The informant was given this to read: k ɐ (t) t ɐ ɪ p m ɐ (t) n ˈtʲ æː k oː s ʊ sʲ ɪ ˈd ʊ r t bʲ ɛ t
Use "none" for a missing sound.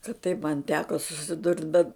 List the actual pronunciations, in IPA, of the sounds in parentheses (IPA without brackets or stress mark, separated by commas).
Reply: t, none